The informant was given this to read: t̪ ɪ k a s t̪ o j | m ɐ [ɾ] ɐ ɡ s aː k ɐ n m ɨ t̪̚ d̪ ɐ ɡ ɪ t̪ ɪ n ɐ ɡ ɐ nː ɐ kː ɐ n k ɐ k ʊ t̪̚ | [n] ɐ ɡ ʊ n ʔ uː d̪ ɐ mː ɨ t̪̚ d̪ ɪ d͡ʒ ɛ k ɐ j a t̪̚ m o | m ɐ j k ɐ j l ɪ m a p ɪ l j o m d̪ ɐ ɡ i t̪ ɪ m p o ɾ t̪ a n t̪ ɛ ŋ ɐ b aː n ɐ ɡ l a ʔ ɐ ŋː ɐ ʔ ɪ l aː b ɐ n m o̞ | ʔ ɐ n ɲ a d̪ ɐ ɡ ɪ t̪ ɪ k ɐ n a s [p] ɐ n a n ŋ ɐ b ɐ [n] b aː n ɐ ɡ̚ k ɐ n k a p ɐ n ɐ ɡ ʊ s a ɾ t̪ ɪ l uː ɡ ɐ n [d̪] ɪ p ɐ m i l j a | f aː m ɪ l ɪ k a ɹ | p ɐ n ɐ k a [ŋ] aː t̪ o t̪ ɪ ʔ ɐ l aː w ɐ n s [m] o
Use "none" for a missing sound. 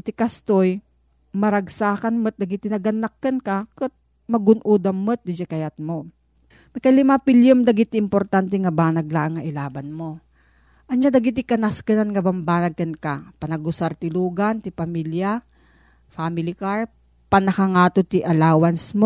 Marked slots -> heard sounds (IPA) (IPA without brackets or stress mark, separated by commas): ɾ, m, k, m, t̪, ŋ, m